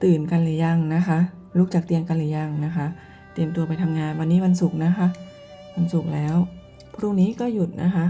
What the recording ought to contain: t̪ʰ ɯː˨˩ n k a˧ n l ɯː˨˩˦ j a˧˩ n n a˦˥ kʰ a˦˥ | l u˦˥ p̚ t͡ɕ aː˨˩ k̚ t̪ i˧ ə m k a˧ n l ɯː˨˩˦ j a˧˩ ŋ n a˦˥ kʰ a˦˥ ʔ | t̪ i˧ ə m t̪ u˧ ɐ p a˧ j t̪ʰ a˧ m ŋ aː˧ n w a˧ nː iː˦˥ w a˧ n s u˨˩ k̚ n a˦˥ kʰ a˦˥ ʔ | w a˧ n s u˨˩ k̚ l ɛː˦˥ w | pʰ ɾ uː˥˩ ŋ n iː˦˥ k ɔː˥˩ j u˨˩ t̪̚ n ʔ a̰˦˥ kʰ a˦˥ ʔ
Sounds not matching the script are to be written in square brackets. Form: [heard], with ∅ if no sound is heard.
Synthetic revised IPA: [t̪] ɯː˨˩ n k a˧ n l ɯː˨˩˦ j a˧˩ [ŋ] n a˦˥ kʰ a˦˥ | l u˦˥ [k̚] t͡ɕ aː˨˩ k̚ t̪ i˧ ə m k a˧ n l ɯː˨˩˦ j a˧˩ ŋ n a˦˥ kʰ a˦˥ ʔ | t̪ i˧ ə m t̪ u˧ ɐ p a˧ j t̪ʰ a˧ m ŋ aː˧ n w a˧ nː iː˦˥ w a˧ n s u˨˩ k̚ n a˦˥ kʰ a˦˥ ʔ | w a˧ n s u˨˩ k̚ l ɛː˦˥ w | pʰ ɾ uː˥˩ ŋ n iː˦˥ k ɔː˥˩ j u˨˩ t̪̚ n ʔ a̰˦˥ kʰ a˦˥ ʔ